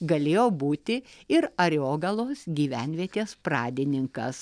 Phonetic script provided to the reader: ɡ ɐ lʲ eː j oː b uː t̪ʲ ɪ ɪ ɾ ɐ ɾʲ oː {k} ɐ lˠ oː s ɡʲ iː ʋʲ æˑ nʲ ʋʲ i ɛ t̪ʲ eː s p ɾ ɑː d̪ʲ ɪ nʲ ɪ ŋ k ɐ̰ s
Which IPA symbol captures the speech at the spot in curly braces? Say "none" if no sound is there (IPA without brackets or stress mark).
ɡ